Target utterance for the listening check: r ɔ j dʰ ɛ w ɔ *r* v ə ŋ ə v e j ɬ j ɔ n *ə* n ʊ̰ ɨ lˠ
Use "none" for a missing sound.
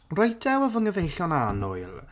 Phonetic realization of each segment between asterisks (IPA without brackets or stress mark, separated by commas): none, a